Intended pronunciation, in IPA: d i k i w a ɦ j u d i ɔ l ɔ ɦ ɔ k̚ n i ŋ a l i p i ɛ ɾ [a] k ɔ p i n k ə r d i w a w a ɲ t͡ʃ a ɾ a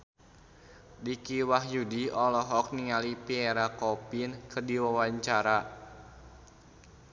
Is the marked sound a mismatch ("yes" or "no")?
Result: no